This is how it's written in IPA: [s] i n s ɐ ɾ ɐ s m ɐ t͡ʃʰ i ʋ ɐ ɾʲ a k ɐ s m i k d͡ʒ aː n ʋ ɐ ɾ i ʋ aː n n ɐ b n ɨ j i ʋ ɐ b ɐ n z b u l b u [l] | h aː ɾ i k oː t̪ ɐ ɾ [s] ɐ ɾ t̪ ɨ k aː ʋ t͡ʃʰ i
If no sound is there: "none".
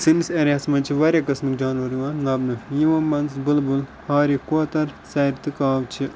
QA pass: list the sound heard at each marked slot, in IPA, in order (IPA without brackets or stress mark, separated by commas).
s, l, s